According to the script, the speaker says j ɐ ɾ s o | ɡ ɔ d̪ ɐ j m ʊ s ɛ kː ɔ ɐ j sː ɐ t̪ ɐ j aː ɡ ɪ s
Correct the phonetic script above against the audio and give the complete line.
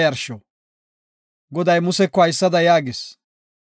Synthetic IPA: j ɐ ɾ ʃ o | ɡ ɔ d̪ ɐ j m ʊ s ɛ kː ɔ ɐ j sː ɐ d̪ ɐ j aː ɡ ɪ s